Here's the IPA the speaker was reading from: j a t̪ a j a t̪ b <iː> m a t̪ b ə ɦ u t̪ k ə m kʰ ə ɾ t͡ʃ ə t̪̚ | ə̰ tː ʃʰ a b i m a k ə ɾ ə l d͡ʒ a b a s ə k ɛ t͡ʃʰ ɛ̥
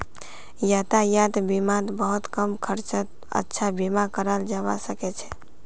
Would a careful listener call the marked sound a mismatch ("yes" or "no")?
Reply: yes